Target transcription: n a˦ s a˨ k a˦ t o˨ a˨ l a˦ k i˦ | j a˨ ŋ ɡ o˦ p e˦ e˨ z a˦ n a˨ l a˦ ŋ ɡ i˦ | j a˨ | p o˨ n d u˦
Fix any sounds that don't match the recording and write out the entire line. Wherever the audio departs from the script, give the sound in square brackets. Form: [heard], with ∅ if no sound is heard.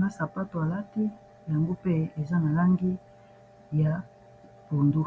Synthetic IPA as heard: n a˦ s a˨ [p] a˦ t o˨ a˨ l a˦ [t] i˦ | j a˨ ŋ ɡ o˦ p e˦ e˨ z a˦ n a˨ l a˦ ŋ ɡ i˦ | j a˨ | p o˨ n d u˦

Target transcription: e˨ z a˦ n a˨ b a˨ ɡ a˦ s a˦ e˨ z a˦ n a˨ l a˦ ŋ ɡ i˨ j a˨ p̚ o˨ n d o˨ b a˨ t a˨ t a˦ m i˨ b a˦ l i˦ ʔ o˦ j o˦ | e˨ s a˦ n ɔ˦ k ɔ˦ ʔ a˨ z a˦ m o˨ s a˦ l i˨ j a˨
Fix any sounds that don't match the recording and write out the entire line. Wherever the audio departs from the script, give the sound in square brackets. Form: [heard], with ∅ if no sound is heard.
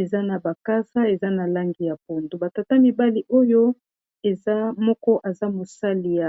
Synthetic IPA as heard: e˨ z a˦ n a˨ b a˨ [k] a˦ s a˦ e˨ z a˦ n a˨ l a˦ ŋ ɡ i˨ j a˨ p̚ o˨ n d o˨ b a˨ t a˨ t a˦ m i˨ b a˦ l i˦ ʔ o˦ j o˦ | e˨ [z] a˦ [m] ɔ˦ k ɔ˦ ʔ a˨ z a˦ m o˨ s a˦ l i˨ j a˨

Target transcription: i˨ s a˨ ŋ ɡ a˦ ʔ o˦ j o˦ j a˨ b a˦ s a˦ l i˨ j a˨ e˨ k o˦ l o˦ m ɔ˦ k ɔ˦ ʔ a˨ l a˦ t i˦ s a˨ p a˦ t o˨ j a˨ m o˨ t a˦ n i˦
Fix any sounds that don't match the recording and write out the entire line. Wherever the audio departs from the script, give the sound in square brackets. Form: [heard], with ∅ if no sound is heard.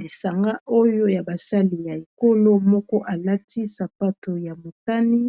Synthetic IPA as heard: i˨ s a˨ ŋ ɡ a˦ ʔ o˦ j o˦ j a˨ b [a˨] s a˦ l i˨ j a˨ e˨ k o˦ l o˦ m ɔ˦ k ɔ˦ ʔ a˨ l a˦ t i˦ s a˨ p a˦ t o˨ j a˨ m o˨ t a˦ n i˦

